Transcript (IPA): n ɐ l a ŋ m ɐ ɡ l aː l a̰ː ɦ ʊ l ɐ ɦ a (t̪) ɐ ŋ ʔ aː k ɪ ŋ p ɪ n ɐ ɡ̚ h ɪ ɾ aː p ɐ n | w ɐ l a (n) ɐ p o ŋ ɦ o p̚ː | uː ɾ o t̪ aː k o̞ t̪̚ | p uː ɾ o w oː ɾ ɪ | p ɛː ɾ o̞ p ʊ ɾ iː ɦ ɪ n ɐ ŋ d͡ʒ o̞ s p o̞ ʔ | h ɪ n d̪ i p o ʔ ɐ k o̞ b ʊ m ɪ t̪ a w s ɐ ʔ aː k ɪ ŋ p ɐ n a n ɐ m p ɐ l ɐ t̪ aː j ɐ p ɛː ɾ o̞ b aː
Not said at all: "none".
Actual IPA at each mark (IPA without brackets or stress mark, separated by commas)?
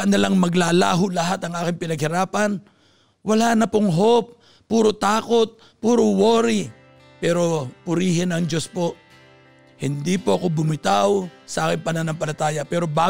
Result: t̪, n